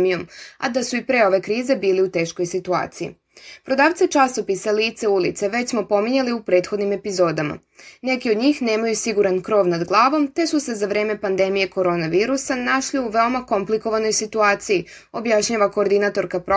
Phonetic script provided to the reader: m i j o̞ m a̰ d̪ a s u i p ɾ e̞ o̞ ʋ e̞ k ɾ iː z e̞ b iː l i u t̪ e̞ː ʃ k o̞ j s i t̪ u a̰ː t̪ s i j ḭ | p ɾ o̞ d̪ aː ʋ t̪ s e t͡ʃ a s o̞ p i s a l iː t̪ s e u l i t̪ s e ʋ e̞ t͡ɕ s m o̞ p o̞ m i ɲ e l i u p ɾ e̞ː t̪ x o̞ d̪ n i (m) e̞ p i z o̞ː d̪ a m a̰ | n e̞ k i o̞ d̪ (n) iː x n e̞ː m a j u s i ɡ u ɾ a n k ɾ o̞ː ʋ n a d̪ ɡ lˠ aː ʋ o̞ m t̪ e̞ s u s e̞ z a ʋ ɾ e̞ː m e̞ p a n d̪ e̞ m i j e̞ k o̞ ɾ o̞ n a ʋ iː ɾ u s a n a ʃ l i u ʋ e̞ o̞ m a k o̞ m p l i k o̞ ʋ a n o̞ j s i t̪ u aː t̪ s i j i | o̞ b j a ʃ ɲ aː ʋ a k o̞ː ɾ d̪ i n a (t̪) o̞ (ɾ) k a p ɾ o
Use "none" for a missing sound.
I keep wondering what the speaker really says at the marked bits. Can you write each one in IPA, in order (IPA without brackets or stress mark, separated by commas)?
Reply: m, ɲ, t̪, ɾ